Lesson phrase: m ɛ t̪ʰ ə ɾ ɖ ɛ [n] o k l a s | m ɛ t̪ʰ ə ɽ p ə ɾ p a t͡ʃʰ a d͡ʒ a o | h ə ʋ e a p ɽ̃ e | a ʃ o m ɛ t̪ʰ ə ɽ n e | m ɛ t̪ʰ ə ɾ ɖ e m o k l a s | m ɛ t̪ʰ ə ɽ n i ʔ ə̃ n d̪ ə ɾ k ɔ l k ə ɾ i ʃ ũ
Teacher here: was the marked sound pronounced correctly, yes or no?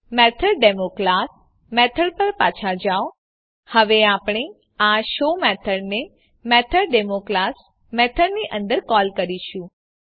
no